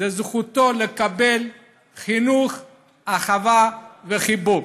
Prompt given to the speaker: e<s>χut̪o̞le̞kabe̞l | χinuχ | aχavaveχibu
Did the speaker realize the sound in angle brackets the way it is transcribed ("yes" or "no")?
no